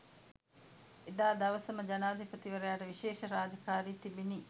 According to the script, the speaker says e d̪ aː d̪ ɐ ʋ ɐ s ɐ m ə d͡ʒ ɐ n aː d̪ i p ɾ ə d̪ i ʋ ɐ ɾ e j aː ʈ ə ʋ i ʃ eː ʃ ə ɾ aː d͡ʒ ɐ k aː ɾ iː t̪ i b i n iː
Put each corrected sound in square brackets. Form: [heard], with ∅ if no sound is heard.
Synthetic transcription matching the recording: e d̪ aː d̪ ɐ ʋ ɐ s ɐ m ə d͡ʒ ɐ n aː d̪ i p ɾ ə [t̪] i ʋ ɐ ɾ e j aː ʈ ə ʋ i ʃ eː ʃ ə ɾ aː d͡ʒ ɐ k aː ɾ iː t̪ i b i n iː